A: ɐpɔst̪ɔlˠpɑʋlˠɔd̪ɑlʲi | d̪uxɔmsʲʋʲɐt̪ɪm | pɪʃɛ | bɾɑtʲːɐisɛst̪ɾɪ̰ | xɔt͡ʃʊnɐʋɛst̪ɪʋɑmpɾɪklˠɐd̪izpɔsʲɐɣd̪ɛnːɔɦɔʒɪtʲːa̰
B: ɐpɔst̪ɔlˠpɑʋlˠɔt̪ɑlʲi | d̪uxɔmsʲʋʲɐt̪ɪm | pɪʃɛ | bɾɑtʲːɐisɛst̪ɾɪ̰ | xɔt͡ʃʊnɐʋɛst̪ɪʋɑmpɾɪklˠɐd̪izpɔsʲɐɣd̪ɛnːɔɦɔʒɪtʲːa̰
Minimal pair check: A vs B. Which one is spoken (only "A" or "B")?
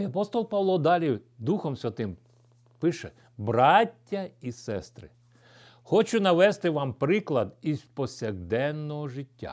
A